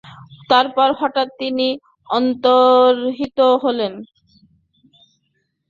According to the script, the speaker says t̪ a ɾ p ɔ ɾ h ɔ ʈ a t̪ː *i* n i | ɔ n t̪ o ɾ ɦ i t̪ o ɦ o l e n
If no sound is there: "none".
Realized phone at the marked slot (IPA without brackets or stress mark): i